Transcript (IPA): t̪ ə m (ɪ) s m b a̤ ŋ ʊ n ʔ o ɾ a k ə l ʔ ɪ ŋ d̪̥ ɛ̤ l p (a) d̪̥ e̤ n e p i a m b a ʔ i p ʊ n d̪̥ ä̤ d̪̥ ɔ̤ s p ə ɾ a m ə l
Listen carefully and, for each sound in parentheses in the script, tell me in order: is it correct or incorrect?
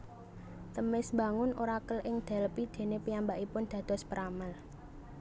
correct, incorrect: i

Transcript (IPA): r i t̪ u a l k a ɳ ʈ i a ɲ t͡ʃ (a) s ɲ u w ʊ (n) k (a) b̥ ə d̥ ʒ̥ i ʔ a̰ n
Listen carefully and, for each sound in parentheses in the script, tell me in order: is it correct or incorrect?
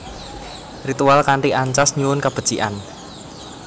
correct, correct, correct

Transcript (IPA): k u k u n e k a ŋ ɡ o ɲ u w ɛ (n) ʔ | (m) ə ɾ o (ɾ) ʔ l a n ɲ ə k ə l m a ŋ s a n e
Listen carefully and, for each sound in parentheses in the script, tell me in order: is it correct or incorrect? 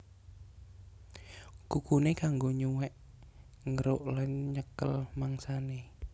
incorrect: none, incorrect: ŋ, incorrect: none

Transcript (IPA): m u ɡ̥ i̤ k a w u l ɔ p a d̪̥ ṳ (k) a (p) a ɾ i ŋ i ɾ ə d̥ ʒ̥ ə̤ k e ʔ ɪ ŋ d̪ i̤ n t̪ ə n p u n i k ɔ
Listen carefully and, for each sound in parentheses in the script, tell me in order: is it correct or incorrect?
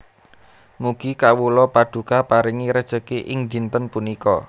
correct, correct

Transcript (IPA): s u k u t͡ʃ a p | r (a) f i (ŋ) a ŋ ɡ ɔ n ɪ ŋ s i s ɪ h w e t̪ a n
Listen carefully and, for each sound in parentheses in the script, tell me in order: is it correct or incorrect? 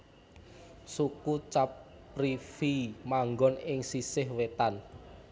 incorrect: i, incorrect: m

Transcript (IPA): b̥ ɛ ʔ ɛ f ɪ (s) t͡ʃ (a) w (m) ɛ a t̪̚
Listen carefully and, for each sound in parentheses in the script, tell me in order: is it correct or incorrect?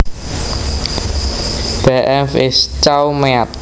correct, correct, correct

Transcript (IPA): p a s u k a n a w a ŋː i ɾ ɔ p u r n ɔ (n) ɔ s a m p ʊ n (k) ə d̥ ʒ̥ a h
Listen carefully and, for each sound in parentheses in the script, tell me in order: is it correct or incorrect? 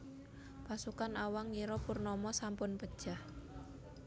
incorrect: m, incorrect: p

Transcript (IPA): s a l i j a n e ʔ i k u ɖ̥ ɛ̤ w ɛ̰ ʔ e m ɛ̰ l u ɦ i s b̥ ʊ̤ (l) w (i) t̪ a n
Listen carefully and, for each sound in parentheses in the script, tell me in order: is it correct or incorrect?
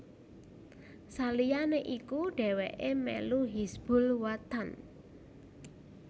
correct, incorrect: a

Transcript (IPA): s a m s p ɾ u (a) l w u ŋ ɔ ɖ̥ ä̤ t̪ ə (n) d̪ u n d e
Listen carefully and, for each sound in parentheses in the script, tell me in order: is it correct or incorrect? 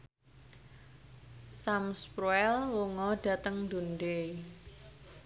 incorrect: ɛ, incorrect: ŋ

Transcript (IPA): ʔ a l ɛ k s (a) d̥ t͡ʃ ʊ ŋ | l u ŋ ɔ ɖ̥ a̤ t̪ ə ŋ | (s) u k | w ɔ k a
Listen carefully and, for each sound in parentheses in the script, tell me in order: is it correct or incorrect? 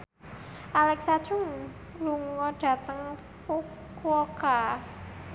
correct, incorrect: f

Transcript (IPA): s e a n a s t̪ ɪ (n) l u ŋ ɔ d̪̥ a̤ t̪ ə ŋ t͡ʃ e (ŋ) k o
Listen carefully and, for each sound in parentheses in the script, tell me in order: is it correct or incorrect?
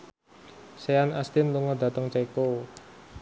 correct, incorrect: none

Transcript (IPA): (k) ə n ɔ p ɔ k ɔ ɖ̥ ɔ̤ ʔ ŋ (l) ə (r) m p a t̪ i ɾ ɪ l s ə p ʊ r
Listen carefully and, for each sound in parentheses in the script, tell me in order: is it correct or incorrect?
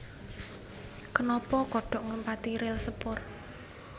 correct, correct, incorrect: none

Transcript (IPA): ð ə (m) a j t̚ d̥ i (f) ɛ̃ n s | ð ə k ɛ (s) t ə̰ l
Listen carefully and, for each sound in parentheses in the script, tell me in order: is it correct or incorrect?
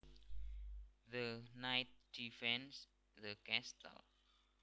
incorrect: n, correct, correct

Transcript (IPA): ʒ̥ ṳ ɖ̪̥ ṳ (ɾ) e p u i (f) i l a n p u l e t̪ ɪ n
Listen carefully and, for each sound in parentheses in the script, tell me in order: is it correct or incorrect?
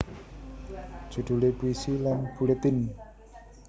incorrect: l, incorrect: s

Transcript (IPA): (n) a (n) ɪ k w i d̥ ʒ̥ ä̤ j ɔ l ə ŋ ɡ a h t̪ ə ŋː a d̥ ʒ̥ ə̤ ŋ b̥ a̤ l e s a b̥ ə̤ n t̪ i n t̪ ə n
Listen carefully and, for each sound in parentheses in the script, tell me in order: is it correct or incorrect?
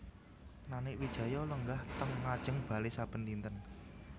correct, correct

